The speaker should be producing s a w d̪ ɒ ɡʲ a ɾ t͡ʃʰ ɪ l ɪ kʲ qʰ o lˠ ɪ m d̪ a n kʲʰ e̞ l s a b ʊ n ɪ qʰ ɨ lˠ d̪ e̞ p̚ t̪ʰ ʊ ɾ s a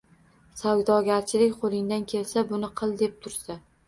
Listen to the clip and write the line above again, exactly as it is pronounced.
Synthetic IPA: s a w d̪ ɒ ɡʲ a ɾ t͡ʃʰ ɪ l ɪ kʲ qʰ o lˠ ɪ ŋ d̪ a n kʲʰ e̞ l s a b ʊ n ɪ qʰ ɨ lˠ d̪ e̞ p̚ t̪ʰ ʊ ɾ s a